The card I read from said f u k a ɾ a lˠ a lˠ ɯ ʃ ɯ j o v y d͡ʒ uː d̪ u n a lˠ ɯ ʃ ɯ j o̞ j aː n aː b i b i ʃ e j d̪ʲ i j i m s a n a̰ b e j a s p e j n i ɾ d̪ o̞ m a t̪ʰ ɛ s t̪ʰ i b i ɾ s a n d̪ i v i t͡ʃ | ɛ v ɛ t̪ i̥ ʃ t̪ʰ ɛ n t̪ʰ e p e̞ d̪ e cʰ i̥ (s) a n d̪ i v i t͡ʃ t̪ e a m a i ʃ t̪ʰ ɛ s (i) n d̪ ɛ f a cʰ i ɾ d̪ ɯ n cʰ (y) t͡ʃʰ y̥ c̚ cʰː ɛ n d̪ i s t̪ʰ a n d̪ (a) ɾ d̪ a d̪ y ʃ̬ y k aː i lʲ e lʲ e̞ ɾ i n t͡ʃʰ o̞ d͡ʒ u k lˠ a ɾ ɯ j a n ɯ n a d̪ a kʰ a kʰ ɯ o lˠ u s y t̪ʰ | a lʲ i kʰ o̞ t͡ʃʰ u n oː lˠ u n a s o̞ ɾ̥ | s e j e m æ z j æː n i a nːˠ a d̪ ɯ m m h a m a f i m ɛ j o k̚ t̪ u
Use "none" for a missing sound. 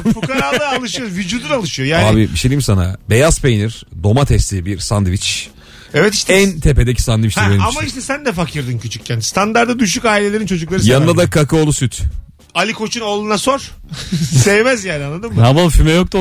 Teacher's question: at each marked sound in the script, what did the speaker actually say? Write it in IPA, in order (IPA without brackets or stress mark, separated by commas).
s, æ, y, a